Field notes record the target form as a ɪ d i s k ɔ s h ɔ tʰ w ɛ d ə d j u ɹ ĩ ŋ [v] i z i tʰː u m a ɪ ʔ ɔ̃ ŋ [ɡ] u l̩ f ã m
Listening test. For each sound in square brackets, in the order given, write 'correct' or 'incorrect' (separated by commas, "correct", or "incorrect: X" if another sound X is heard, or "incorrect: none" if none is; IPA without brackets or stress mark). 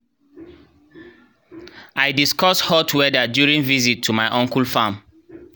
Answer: correct, incorrect: k